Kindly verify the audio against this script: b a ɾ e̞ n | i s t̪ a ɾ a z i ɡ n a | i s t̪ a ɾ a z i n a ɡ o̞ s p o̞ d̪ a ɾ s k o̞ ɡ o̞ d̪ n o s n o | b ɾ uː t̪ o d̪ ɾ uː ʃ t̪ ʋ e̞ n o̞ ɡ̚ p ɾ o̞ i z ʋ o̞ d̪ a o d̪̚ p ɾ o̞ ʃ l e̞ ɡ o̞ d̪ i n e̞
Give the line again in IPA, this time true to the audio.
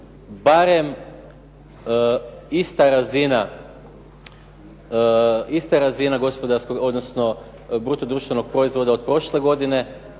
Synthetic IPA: b a ɾ e̞ m | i s t̪ a ɾ a z i n a | i s t̪ a ɾ a z i n a ɡ o̞ s p o̞ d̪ a ɾ s k o̞ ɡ o̞ d̪ n o s n o | b ɾ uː t̪ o d̪ ɾ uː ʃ t̪ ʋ e̞ n o̞ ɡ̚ p ɾ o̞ i z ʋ o̞ d̪ a o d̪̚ p ɾ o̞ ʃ l e̞ ɡ o̞ d̪ i n e̞